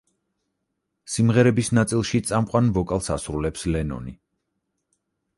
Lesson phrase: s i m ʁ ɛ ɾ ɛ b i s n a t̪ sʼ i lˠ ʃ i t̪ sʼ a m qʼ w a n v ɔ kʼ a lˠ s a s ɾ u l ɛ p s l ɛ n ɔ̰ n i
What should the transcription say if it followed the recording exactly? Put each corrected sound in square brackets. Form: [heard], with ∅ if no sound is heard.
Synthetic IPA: s i m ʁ ɛ ɾ ɛ b i s n a t̪ sʼ i lˠ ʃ i t̪ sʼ a m qʼ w a n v ɔ kʼ a lˠ s a s ɾ u l ɛ p s l ɛ n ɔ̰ n i